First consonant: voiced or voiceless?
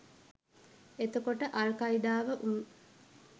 voiceless